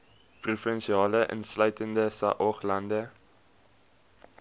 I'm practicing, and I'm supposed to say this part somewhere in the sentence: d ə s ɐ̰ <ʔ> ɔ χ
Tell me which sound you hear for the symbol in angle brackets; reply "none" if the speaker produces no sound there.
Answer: ʔ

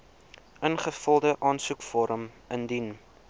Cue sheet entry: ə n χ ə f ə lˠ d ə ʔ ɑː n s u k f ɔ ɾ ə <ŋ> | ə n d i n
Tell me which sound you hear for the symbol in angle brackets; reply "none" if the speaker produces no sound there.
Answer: m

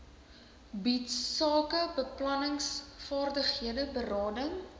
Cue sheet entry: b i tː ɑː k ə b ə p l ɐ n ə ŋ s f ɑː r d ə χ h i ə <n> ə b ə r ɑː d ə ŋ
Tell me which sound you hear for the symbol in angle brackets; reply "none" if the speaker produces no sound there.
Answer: d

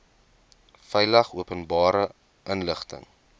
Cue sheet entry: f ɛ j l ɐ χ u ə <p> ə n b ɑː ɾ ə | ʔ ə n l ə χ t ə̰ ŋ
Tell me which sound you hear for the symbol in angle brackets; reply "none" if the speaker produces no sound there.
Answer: p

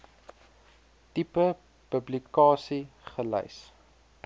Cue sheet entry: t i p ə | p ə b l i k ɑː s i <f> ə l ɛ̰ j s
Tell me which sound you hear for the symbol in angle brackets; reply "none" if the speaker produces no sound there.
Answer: χ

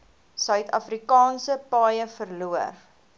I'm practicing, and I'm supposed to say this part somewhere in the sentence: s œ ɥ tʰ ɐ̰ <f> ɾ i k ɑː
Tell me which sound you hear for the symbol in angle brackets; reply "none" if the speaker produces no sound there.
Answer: f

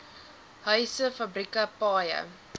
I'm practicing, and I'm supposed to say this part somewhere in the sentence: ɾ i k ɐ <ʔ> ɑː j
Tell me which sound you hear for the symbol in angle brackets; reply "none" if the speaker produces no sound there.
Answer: p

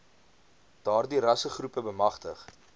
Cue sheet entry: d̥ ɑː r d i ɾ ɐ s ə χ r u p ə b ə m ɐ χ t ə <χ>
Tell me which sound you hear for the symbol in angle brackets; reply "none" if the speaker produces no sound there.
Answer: χ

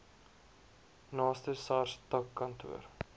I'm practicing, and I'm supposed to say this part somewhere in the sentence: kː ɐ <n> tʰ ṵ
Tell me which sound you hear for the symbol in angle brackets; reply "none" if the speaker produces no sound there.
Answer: n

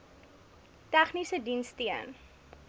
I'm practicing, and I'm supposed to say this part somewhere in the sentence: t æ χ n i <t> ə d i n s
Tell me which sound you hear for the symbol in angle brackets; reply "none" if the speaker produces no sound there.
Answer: s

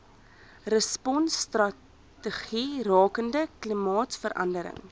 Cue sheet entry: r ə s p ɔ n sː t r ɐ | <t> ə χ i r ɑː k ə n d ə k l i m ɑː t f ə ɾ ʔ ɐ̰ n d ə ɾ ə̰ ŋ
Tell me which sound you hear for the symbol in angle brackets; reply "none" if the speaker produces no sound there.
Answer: t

